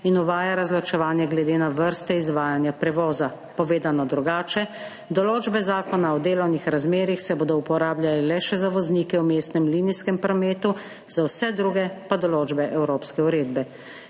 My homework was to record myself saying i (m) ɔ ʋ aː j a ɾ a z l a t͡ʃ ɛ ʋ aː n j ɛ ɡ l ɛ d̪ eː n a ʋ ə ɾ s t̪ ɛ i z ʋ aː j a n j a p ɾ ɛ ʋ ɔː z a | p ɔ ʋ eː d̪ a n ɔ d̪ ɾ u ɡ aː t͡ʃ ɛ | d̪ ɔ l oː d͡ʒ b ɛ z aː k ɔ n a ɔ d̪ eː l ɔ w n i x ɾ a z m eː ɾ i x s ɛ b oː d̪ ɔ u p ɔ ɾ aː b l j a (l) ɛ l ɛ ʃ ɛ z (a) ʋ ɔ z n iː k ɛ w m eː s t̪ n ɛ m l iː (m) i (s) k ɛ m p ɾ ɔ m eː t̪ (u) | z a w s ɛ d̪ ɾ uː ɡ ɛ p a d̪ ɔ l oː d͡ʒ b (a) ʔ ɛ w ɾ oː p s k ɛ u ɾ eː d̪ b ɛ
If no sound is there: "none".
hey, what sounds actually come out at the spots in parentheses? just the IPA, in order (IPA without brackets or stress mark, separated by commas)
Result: n, l, a, n, s, u, ɛ